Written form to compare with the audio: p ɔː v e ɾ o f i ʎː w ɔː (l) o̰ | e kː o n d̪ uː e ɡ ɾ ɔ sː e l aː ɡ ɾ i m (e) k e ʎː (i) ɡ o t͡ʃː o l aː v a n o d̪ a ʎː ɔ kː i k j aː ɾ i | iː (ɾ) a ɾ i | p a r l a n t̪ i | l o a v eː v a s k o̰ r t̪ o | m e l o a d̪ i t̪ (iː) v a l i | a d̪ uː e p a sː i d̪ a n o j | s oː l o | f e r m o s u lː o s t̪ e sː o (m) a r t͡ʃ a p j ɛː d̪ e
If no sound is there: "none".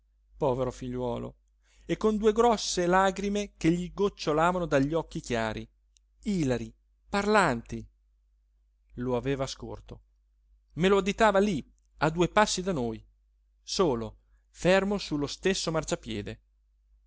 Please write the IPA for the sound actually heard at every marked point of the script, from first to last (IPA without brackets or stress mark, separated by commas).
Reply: l, e, i, l, aː, m